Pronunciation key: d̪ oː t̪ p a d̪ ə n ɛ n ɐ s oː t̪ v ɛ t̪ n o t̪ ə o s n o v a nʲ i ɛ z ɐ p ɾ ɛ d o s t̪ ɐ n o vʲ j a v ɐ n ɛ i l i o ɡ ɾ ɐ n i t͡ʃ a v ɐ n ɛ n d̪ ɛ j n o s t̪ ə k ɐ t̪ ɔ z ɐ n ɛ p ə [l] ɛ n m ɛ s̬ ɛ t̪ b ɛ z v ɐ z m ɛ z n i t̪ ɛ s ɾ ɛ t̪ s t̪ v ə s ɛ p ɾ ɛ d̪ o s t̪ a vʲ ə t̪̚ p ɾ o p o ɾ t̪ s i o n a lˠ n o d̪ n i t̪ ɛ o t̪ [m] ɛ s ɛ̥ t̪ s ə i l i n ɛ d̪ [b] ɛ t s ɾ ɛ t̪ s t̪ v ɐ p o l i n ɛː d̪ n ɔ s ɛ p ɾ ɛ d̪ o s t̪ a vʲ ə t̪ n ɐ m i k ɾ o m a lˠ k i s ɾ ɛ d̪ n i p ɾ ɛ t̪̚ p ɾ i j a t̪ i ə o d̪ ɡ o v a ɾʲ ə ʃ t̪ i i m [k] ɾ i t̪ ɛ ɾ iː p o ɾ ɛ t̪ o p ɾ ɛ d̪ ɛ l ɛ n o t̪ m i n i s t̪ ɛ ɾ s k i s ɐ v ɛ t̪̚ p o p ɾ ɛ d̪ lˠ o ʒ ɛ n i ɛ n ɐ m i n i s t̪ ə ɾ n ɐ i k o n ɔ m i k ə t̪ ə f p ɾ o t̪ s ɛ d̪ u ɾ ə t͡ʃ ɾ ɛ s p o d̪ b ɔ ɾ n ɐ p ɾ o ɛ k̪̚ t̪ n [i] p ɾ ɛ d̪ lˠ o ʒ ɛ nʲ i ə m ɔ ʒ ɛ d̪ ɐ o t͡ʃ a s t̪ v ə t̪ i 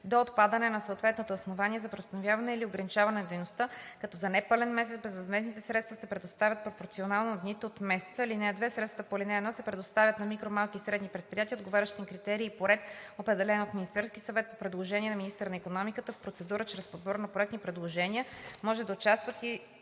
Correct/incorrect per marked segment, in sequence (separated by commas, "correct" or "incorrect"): correct, correct, incorrect, correct, correct